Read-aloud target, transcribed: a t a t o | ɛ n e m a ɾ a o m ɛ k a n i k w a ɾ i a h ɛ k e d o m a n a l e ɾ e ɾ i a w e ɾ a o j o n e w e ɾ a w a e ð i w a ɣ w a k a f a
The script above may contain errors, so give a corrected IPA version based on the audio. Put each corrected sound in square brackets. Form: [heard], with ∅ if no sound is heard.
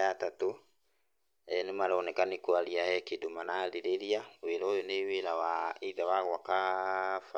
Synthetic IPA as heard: a t a t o | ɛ n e m a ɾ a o [n] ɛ k a n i k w a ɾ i a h ɛ k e d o m a n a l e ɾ e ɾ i a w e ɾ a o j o n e w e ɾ a w a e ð [a] w a ɣ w a k a f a

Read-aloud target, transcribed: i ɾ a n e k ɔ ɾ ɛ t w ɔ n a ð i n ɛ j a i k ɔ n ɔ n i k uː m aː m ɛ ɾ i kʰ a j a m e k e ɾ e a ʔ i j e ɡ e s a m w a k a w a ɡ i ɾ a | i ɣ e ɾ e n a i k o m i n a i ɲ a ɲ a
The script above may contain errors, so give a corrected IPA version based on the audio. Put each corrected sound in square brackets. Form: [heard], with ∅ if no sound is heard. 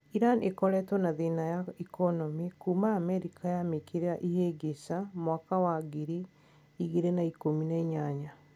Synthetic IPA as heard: i ɾ a n e k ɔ ɾ ɛ t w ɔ n a ð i n [a] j a i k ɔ n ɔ [m] i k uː m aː m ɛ ɾ i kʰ a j a m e k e ɾ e a ʔ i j e ɡ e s a m w a k a w a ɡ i ɾ [i] | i ɣ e ɾ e n a i k o m i n a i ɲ a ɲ a

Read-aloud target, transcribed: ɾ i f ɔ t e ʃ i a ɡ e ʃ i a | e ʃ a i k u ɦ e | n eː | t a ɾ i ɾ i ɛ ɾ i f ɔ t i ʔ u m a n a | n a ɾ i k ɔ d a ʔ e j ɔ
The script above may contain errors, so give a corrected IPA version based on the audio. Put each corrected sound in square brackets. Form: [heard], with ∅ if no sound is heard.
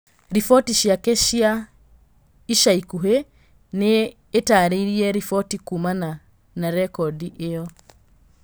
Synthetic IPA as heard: ɾ i f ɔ t [i] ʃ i a [k] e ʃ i a | [i] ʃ a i k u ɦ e | n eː | t a ɾ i ɾ i ɛ ɾ i f ɔ t i [k] u m a n a | n a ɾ [ɛ] k ɔ d [i] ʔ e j ɔ

